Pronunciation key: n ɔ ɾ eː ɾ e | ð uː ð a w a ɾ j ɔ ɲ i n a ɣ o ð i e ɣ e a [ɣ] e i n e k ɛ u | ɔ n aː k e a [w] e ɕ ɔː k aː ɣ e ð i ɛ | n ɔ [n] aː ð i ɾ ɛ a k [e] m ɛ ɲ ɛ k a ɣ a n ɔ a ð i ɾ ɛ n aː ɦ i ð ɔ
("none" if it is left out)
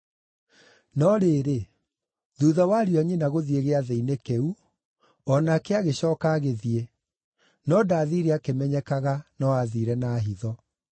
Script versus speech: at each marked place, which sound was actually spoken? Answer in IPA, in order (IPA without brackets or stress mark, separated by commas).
ð, ɣ, d, e